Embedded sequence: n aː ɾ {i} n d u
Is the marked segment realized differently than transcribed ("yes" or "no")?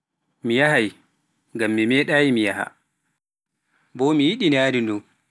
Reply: no